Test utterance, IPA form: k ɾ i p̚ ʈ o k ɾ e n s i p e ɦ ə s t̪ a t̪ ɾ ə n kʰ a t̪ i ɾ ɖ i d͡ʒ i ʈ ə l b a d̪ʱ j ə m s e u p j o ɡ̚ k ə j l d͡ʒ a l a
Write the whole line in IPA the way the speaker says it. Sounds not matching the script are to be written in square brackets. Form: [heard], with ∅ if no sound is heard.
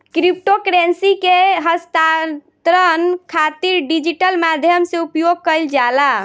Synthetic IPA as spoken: k ɾ i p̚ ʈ o k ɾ e n s i [k] e ɦ ə s t̪ a t̪ ɾ ə n kʰ a t̪ i ɾ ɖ i d͡ʒ i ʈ ə l [m] a d̪ʱ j ə m s e u p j o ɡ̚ k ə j l d͡ʒ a l a